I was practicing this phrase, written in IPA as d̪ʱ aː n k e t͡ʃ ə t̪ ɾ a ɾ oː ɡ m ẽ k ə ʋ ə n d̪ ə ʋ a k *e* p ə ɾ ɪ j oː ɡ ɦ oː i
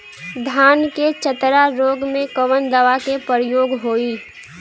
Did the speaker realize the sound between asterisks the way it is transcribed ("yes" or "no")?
yes